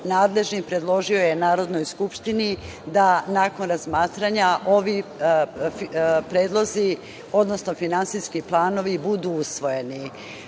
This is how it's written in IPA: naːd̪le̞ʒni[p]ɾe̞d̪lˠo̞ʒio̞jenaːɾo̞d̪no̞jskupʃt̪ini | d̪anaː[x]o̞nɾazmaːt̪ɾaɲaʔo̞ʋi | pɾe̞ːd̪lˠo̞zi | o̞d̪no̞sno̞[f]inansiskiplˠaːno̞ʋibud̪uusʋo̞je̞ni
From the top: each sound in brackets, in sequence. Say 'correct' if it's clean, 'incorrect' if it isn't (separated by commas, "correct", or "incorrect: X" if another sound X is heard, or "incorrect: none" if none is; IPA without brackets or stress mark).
correct, incorrect: k, correct